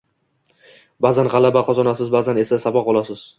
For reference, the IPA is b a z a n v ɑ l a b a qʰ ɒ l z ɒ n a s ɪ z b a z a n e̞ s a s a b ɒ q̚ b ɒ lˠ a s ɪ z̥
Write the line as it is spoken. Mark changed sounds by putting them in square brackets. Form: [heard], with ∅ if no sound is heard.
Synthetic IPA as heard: b a z a n [ʁ] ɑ l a b a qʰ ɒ [∅] z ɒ n a s ɪ z b a z a n e̞ s a s a b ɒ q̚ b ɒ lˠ a s ɪ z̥